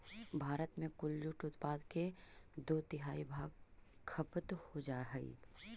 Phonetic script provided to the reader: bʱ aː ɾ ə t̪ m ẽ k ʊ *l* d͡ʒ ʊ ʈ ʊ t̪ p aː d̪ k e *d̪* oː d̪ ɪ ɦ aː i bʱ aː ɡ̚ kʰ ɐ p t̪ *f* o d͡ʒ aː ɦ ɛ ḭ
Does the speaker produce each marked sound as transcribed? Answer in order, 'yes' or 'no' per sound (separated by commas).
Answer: yes, yes, no